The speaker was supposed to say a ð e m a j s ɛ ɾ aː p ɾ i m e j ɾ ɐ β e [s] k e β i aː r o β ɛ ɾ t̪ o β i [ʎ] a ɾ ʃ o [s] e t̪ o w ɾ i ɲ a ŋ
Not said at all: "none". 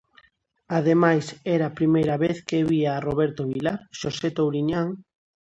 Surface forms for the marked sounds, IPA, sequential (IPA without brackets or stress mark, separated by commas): θ, l, s